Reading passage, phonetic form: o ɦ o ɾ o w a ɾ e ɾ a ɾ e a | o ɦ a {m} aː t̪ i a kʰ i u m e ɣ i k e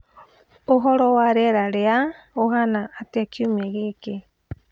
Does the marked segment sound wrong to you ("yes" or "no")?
yes